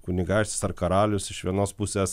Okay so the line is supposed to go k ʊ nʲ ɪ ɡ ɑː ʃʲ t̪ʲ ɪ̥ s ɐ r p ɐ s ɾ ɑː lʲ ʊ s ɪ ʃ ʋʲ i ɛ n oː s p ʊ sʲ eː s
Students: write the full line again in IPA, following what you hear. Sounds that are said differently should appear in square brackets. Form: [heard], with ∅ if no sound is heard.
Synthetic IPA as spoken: k ʊ nʲ ɪ ɡ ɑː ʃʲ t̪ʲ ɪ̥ s ɐ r [k] ɐ [∅] ɾ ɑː lʲ ʊ s ɪ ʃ ʋʲ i ɛ n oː s p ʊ sʲ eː s